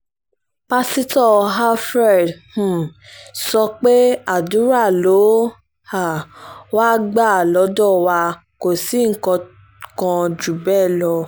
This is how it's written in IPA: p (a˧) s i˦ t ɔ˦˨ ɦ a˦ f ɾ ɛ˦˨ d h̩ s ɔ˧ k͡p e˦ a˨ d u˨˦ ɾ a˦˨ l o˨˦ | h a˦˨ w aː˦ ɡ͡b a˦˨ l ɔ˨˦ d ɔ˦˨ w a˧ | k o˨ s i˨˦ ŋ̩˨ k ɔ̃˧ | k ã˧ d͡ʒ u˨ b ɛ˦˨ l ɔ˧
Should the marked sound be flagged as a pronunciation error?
no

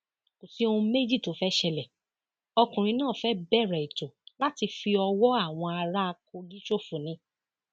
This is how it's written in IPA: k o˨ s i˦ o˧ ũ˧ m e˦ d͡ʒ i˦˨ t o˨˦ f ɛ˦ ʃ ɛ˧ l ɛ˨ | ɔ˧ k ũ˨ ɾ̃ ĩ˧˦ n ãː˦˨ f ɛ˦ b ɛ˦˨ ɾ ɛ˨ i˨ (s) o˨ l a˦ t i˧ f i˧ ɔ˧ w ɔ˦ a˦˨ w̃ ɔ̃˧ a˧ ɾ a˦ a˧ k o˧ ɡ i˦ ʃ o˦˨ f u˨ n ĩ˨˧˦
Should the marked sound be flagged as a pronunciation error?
yes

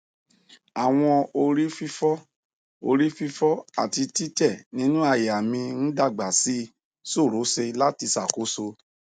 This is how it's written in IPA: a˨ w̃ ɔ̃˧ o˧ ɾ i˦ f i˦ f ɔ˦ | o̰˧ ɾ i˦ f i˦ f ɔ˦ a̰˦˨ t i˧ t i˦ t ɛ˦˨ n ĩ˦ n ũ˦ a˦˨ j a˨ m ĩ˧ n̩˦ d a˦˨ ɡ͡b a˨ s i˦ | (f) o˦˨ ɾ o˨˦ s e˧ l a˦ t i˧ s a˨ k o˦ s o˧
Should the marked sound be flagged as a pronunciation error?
yes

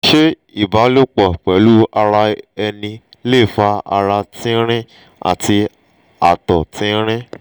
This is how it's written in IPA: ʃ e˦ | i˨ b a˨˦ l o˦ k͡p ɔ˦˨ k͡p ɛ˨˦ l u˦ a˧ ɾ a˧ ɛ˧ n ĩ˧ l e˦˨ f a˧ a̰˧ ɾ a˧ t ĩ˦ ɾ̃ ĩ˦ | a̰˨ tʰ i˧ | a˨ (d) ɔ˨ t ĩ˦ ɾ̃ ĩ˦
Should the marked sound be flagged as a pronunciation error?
yes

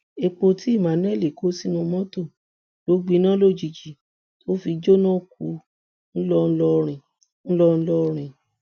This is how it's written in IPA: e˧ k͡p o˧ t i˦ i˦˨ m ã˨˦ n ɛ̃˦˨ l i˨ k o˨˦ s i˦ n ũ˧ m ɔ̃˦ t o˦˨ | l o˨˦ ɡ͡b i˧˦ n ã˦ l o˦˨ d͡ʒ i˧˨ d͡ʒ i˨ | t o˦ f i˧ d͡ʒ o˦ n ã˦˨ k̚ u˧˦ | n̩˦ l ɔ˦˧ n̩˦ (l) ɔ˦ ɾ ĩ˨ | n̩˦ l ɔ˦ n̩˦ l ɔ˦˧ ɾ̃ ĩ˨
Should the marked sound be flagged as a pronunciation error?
no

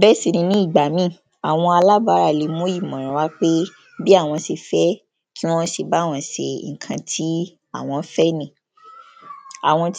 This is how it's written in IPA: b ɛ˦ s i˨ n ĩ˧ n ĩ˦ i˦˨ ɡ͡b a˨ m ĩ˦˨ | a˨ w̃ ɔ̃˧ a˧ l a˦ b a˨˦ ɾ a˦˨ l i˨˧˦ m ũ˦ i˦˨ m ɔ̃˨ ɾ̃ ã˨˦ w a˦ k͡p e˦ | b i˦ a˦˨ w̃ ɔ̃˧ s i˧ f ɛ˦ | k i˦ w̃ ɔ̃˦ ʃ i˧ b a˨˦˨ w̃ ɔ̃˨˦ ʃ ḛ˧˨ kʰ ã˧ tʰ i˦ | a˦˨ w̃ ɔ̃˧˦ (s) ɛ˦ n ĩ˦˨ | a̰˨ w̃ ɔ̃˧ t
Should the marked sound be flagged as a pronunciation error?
yes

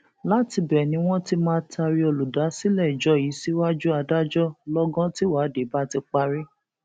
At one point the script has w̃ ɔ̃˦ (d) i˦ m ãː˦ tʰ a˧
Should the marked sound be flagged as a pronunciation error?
yes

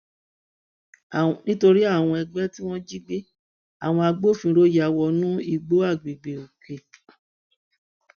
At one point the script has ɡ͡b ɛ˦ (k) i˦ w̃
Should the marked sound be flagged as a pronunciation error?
yes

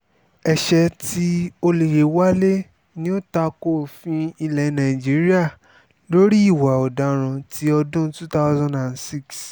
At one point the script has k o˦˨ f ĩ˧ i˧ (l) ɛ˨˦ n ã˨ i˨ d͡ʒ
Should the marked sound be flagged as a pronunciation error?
no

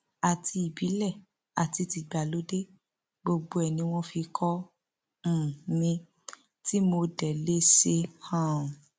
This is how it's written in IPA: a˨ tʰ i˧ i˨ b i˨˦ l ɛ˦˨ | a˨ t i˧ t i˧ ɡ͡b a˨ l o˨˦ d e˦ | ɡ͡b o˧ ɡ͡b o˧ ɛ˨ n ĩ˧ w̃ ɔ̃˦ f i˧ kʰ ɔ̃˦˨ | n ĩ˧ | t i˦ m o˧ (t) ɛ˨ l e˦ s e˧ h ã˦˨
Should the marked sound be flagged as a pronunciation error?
yes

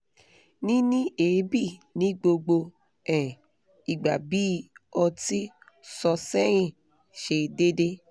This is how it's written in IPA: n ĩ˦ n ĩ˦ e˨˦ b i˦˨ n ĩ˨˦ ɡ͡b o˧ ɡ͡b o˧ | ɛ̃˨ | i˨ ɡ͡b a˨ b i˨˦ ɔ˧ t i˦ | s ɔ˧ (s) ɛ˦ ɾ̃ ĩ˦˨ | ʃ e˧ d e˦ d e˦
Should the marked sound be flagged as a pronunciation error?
no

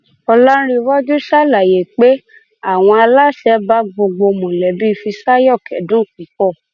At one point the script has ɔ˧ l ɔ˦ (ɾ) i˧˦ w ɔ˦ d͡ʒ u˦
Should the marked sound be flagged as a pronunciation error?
no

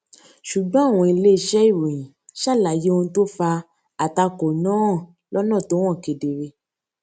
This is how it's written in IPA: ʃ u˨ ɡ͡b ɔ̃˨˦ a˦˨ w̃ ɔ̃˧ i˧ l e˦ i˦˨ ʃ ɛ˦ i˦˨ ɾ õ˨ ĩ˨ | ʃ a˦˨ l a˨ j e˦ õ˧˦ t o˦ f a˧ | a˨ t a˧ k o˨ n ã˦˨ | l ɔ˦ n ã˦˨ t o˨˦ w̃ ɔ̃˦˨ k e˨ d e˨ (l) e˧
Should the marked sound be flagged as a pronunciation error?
yes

